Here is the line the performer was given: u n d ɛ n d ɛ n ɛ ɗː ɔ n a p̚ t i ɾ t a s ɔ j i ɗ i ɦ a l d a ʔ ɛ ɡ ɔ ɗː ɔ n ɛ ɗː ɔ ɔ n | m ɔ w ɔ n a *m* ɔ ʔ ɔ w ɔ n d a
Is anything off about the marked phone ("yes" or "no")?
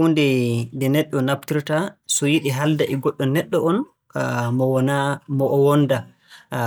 no